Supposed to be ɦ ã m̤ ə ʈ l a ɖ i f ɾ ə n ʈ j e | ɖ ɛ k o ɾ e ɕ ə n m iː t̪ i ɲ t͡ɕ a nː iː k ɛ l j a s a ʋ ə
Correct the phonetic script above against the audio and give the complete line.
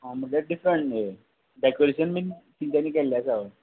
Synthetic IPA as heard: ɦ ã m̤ ə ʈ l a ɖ i f ɾ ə ɳ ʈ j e | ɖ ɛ k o ɾ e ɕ ə n m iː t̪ i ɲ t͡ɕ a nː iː k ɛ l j a s a ʋ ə

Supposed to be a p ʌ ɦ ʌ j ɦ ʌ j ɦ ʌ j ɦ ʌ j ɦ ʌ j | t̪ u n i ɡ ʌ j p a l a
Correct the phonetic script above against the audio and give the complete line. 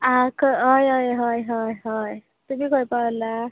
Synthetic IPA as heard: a k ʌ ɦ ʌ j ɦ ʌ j ɦ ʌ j ɦ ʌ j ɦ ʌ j | t̪ u m i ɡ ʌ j p a l a

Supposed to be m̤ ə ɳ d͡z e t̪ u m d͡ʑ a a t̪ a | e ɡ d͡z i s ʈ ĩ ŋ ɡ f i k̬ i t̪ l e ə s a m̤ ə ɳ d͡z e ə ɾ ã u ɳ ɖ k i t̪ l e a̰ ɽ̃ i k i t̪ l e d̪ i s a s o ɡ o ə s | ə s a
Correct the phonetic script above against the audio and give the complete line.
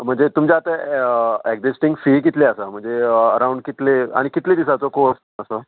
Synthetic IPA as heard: m̤ ə ɳ d͡z e t̪ u m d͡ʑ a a t̪ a | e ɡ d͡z i s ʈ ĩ ŋ ɡ f i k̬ i t̪ l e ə s a m̤ ə ɳ d͡z e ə ɾ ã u ɳ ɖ k i t̪ l e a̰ ɽ̃ i k i t̪ l e d̪ i s a t͡s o k o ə s | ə s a

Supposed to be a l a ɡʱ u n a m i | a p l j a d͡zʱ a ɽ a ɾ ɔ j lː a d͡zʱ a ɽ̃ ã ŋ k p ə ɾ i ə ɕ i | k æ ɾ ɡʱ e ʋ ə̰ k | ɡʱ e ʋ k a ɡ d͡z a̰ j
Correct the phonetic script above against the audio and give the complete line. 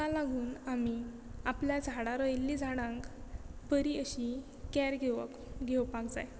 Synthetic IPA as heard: a l a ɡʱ uː n a m i | a p l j a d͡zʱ a ɽ a ɾ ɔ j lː i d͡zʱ a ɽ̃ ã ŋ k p ə ɾ i ə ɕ i | k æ ɾ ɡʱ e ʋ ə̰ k | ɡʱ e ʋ p a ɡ d͡z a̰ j

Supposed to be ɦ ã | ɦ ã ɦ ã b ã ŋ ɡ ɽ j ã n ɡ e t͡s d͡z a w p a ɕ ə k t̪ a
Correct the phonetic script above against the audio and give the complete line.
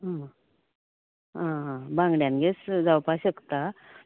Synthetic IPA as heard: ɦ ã | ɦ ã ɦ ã b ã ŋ ɡ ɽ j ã n ɡ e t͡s d͡z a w p a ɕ ə k t̪ a

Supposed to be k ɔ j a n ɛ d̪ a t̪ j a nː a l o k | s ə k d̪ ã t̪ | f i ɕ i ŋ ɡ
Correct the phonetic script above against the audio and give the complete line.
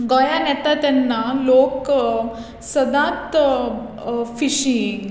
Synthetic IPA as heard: ɡ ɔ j a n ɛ t̪ a t̪ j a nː a l o k | s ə d̪ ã t̪ | f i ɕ i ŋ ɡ

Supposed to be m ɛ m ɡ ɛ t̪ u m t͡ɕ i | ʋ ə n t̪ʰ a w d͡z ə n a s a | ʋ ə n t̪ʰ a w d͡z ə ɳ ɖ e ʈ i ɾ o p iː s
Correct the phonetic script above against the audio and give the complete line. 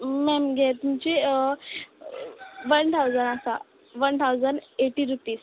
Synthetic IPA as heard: m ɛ m ɡ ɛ t̪ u m t͡ɕ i | ʋ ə n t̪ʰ a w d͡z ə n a s a | ʋ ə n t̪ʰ a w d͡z ə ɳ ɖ e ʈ i ɾ u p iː s

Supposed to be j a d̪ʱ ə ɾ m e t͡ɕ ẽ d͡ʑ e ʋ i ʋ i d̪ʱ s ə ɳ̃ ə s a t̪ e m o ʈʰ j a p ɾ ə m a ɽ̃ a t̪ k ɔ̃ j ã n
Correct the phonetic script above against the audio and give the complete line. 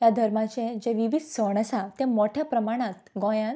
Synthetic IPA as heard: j a d̪ʱ ə ɾ m a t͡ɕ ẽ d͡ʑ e ʋ i ʋ i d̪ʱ s ə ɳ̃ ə s a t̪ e m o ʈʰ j a p ɾ ə m a ɽ̃ a t̪ ɡ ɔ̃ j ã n

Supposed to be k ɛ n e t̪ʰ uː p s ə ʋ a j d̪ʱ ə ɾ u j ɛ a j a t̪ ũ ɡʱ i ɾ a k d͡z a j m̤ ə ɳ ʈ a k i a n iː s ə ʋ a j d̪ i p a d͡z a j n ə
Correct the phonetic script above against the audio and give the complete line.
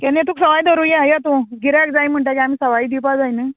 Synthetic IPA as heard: k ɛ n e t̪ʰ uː k s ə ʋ a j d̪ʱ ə ɾ u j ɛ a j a t̪ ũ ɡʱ i ɾ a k d͡z a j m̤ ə ɳ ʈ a k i a m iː s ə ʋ a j d̪ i p a d͡z a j n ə

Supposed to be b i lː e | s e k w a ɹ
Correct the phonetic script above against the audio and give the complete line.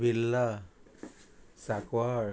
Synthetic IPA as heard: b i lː a | s a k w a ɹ

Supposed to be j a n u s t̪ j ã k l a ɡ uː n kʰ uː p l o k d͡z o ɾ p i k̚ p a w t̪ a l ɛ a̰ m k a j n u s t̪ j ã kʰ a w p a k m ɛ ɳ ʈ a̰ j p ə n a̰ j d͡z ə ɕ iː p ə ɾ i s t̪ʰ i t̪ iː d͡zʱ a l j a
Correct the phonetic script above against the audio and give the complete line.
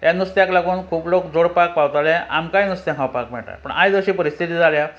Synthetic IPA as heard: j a n u s t̪ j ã k l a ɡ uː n kʰ uː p l o k d͡z o ɽ p a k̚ p a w t̪ a l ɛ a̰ m k a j n u s t̪ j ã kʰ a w p a k m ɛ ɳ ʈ a̰ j p ə ɳ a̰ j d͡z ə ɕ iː p ə ɾ i s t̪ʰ i t̪ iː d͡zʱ a l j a

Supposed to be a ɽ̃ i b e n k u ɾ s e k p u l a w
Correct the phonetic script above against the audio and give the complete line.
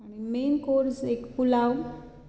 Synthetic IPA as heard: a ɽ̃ i m e n k o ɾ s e k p u l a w

